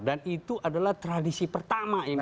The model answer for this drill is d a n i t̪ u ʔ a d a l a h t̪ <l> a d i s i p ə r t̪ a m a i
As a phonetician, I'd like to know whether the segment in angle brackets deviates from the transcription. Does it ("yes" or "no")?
yes